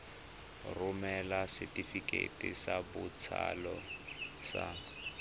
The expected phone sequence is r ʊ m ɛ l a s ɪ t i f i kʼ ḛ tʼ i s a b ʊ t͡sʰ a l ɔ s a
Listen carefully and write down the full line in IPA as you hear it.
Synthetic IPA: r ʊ m ɛ l a s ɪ t i f i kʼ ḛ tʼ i s a b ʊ t͡sʰ a l ɔ s a